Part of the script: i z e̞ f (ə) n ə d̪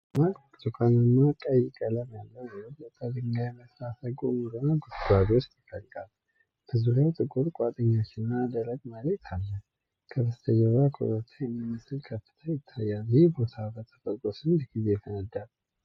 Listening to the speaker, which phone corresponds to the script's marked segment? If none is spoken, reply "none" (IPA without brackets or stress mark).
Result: ə